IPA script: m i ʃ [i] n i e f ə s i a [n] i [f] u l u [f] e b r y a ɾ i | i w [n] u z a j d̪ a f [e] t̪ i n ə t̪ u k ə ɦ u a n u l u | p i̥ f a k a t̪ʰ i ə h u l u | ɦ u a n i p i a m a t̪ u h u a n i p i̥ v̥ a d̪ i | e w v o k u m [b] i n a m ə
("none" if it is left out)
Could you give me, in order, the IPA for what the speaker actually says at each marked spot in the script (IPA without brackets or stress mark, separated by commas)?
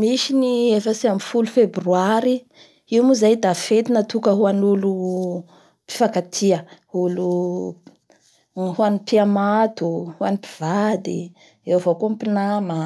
i, m, f, f, m, e, p